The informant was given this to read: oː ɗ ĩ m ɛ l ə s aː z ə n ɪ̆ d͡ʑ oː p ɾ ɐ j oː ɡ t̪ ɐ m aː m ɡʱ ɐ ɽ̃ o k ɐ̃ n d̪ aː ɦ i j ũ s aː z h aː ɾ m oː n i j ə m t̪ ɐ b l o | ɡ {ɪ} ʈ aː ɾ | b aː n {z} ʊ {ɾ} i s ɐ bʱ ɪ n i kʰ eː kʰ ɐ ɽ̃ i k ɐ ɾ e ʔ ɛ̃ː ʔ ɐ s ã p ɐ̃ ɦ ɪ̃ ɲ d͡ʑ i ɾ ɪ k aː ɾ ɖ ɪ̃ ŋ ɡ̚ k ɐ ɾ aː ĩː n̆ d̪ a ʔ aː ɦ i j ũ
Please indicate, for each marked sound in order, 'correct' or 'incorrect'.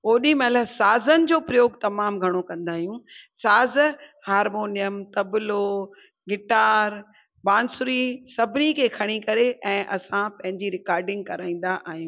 correct, incorrect: s, correct

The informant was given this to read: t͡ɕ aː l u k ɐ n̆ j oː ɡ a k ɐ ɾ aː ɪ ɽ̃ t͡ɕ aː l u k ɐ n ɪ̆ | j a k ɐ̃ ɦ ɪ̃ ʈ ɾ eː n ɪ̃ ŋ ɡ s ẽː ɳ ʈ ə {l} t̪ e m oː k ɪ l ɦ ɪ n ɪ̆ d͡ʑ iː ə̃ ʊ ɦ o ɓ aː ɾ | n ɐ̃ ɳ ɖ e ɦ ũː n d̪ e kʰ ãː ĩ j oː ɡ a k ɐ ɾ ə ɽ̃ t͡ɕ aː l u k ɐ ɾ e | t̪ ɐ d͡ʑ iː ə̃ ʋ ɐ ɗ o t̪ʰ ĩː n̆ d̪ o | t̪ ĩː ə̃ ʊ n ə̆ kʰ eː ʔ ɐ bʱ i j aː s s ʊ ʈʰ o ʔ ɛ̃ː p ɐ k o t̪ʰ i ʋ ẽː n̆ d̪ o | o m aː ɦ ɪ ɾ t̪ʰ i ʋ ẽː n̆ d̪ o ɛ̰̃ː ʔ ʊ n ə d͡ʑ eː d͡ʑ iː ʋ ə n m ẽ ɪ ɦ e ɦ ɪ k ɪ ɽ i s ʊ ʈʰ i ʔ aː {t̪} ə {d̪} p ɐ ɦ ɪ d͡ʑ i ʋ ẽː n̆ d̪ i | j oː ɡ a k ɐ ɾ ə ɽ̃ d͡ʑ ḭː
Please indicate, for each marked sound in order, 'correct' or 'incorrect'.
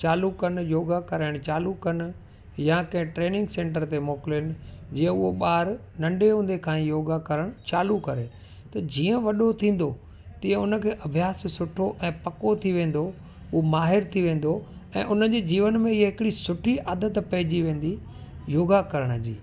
incorrect: ɾ, incorrect: d̪, incorrect: t̪

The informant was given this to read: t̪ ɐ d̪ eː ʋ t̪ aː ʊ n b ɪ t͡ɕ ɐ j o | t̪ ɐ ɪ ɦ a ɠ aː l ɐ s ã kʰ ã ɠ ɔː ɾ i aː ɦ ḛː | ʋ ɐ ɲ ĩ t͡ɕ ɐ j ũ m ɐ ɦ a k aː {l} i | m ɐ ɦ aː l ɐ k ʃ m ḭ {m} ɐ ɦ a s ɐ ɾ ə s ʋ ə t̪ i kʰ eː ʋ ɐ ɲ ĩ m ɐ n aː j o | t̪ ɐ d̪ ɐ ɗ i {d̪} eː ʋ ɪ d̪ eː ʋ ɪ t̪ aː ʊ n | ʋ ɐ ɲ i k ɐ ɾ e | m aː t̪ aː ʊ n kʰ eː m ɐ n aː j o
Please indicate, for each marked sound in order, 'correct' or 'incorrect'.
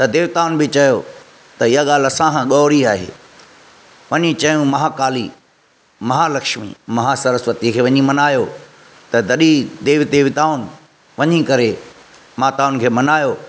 correct, correct, correct

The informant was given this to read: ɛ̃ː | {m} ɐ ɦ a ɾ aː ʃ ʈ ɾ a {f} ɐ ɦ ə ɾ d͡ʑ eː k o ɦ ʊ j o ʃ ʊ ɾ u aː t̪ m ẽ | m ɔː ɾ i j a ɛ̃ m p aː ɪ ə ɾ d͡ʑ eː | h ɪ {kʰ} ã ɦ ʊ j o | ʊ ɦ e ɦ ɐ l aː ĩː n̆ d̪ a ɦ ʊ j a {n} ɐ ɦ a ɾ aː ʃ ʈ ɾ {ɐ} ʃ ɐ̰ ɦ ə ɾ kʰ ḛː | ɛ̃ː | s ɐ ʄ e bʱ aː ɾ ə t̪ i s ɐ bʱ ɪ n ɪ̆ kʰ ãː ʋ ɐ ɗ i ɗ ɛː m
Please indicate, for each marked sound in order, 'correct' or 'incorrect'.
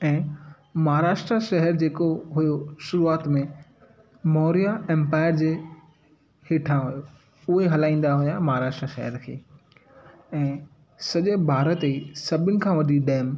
correct, incorrect: ʃ, incorrect: ʈʰ, incorrect: m, incorrect: a

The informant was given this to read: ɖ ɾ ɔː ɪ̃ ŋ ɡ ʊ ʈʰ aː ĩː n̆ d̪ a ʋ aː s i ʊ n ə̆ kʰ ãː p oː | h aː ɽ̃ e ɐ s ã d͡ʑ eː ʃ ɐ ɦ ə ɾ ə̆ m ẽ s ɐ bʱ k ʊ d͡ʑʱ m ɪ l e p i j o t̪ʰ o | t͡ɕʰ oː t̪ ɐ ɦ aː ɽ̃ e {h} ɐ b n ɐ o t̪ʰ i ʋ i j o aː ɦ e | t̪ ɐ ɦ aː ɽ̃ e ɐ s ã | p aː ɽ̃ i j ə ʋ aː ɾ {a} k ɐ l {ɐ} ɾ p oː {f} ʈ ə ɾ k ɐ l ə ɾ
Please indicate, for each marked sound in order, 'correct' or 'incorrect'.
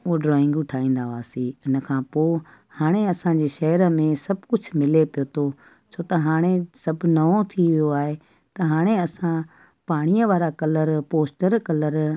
incorrect: s, correct, incorrect: ə, incorrect: s

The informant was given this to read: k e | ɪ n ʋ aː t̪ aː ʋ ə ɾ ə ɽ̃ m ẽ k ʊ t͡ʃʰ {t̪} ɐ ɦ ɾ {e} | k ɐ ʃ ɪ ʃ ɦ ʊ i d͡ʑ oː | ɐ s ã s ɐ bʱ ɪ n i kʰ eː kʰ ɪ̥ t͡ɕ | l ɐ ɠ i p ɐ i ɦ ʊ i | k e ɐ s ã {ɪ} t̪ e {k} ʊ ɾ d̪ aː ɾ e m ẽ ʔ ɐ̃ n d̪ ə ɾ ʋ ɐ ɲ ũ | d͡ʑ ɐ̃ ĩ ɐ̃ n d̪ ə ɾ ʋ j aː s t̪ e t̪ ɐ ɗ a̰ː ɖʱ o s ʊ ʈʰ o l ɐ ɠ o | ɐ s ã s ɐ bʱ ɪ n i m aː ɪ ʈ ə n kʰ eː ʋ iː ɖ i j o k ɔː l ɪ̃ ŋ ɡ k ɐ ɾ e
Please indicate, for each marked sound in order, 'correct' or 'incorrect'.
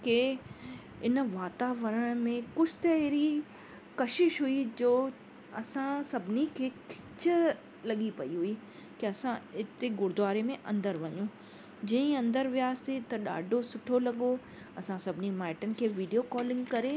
correct, incorrect: i, correct, incorrect: ɡ

